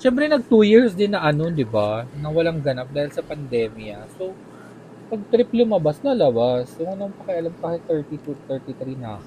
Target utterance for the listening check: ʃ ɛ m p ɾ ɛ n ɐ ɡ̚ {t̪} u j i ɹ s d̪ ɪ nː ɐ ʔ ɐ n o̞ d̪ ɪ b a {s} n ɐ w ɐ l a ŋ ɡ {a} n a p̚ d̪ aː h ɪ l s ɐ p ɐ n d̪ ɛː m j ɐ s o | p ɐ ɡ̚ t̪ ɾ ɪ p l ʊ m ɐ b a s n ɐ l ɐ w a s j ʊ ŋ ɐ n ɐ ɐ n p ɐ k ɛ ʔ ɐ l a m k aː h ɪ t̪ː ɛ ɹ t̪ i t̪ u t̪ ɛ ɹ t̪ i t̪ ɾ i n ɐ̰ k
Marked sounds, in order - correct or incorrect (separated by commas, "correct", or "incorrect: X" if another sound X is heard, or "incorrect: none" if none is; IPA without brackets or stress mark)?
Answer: correct, incorrect: none, incorrect: ɐ